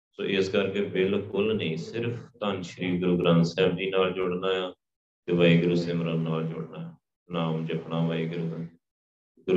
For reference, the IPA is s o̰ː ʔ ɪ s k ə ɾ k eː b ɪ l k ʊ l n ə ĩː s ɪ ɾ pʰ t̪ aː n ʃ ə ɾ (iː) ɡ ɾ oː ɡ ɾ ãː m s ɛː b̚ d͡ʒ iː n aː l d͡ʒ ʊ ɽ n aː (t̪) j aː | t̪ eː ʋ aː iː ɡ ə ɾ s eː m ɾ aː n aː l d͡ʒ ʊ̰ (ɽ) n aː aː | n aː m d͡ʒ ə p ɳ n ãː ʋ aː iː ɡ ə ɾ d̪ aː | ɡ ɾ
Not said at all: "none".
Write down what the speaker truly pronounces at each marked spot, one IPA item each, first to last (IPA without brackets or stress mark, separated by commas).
iː, none, ɽ